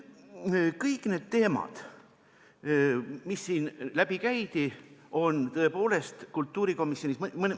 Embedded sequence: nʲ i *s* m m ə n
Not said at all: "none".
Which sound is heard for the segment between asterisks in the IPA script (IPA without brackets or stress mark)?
s